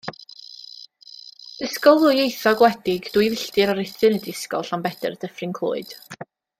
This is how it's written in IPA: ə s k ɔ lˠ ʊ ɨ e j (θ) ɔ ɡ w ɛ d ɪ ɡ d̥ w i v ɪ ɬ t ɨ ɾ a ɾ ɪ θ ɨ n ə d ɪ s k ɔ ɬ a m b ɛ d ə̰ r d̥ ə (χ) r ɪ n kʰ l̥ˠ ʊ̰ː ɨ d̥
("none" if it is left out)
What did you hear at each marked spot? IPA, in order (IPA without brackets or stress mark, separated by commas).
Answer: θ, f